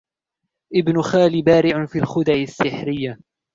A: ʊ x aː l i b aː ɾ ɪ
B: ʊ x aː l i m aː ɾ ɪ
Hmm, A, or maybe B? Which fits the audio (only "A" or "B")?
A